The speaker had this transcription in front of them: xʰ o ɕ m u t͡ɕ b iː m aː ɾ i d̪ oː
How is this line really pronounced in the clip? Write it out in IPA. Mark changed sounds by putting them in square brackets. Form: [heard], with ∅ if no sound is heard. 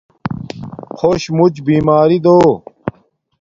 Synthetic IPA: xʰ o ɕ m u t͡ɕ b iː m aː ɾ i d̪ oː